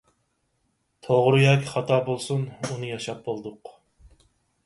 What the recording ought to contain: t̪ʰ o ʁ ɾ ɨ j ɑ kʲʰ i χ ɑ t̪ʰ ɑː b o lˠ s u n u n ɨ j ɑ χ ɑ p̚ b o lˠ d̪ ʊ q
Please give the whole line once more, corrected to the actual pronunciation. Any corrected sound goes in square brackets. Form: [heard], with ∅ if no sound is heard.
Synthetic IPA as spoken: t̪ʰ o ʁ ɾ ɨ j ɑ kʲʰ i χ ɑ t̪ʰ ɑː b o lˠ s u n u n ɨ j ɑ [ʃ] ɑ p̚ b o lˠ d̪ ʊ q